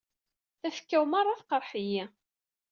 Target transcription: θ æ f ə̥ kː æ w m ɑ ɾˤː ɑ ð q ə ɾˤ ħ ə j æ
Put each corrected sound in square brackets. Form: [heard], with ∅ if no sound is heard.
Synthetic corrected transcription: θ æ f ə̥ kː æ w m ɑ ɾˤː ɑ [θ] q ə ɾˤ ħ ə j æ